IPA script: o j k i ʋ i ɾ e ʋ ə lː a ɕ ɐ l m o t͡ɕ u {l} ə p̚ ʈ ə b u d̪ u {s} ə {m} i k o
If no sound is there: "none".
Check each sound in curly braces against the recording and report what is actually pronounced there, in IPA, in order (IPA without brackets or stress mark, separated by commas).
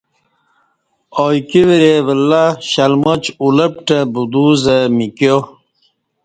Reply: l, z, m